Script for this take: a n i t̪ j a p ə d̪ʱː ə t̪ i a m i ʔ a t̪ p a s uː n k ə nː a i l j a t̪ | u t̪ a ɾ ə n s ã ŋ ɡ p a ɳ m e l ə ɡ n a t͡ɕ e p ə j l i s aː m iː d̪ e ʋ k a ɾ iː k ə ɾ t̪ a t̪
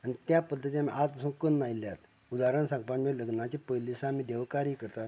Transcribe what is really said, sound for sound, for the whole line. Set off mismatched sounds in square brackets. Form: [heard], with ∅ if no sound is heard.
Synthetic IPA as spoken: a n i t̪ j a p ə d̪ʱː ə t̪ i a m i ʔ a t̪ p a s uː n k ə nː a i l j a t̪ | u [d̪] a ɾ ə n s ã ŋ ɡ p a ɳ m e l ə ɡ n a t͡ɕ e p ə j l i s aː m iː d̪ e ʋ k a ɾ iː k ə ɾ t̪ a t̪